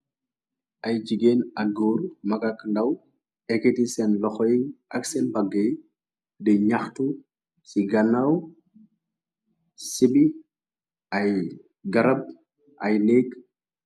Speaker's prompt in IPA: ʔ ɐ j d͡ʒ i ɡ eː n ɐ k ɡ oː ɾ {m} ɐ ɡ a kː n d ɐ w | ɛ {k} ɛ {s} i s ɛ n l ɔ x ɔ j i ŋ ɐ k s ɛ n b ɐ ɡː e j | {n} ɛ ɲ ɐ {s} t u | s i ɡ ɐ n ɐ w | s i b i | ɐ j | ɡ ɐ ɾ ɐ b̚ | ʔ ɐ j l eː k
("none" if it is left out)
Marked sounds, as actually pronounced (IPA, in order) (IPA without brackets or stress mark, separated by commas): m, k, t, d, x